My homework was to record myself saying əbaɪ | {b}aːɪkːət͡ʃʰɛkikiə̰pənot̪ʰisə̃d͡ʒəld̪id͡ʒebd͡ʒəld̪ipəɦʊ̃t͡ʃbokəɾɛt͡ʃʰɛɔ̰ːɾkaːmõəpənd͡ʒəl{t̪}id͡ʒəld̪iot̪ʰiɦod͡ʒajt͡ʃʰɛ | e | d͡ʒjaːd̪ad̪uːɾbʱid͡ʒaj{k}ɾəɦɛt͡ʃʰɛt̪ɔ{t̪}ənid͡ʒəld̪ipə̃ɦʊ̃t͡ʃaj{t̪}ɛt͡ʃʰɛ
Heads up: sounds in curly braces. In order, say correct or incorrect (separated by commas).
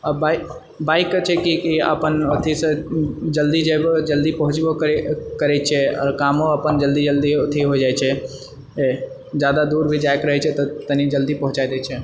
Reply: correct, incorrect, correct, correct, incorrect